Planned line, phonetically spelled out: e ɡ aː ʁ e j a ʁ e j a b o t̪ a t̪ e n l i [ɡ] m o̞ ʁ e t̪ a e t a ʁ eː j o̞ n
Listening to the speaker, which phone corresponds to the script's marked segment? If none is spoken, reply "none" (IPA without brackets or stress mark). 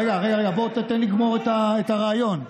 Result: ɡ